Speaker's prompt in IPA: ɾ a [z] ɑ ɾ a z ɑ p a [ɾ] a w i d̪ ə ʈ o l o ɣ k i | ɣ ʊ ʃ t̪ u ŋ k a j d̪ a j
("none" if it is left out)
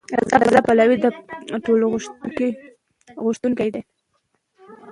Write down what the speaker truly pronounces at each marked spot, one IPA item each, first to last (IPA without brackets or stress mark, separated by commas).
z, l